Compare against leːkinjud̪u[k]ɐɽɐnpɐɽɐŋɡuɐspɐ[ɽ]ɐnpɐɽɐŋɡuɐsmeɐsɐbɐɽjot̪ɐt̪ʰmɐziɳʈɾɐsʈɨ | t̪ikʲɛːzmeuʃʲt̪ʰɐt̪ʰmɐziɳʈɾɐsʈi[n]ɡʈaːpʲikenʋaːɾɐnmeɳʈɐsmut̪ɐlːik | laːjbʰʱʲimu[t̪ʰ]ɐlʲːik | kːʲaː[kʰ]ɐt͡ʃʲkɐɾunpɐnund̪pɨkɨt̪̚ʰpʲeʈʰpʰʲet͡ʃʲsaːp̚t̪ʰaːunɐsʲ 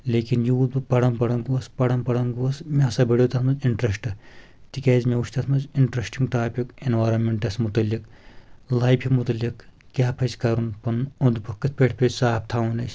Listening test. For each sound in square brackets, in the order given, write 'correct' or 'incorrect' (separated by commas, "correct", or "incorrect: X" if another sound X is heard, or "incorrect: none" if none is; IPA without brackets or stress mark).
incorrect: p, correct, incorrect: ŋ, incorrect: t̪, incorrect: pʰ